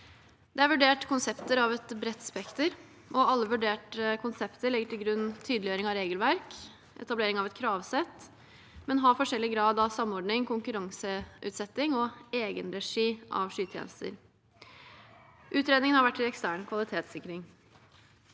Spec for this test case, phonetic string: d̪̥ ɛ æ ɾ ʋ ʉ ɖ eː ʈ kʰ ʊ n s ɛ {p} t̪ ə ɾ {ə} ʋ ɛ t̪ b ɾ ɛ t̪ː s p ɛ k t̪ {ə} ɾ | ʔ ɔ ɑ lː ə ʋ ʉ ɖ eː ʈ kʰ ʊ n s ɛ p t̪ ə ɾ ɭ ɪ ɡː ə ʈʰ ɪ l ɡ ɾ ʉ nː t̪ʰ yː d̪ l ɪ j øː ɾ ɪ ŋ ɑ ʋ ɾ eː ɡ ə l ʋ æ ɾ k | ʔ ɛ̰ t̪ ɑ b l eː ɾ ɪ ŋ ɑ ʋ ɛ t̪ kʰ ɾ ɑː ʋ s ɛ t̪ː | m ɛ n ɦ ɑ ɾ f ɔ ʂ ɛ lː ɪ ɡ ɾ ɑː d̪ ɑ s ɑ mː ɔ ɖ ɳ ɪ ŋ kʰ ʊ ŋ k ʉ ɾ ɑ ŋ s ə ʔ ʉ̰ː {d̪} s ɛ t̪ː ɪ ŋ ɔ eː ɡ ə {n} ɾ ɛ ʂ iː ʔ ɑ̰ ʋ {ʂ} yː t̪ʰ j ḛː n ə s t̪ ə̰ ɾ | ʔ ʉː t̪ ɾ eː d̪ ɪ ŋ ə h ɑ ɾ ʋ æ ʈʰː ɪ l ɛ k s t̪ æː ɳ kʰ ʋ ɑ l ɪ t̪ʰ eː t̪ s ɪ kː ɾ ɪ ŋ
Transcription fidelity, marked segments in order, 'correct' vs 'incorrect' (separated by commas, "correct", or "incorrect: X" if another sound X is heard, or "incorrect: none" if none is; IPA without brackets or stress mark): correct, incorrect: ɑ, correct, incorrect: t̪, correct, correct